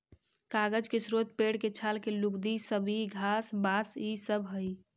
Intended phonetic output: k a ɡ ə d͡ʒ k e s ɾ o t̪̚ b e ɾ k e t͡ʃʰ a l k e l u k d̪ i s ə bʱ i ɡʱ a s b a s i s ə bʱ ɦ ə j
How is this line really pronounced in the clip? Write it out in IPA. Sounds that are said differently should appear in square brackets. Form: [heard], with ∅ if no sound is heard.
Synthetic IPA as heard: k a ɡ ə d͡ʒ k e s ɾ o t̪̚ [p] e [ɽ] k e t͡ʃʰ a l k e l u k d̪ i s ə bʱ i ɡʱ a s b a s i s ə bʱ ɦ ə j